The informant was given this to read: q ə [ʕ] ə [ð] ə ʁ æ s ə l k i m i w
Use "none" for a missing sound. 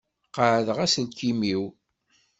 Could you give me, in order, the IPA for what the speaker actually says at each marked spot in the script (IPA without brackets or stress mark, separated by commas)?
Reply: ʕ, ð